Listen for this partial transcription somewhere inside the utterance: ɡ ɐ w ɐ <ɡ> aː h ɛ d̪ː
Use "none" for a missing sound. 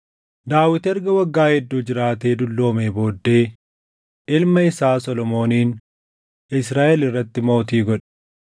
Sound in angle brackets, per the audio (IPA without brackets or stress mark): ɡː